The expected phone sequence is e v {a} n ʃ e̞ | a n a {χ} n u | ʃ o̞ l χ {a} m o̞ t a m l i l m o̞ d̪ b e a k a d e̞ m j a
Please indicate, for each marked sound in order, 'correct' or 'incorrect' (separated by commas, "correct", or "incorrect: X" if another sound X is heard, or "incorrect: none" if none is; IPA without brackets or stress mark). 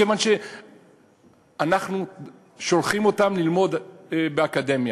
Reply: correct, correct, incorrect: i